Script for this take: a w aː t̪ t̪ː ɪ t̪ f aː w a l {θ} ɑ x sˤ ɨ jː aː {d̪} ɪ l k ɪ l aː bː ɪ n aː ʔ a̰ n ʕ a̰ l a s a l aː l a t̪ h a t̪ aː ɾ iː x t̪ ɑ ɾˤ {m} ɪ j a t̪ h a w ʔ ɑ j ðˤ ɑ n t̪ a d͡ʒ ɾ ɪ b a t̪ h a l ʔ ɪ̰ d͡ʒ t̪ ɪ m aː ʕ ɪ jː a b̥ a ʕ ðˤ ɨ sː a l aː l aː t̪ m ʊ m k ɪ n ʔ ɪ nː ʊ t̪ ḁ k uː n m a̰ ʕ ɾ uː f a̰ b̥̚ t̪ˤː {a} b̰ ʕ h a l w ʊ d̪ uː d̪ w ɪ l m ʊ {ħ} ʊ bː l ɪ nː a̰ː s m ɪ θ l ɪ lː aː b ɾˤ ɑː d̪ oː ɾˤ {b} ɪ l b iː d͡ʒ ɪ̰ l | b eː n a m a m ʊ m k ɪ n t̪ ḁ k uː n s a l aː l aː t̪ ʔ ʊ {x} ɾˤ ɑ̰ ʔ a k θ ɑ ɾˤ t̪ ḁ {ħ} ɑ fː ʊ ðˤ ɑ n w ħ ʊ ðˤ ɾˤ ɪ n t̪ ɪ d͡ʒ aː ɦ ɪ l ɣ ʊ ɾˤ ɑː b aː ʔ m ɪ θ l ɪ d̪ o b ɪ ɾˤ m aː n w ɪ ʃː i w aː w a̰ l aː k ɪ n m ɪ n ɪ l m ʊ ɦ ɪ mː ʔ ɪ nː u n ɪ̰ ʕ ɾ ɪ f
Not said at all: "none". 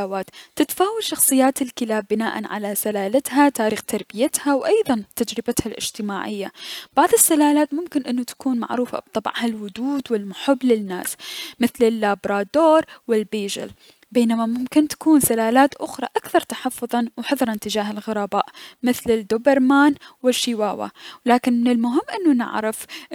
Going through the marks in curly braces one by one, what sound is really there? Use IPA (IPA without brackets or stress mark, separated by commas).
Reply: ʃ, t̪, b, ɑ, ħ, w, x, ħ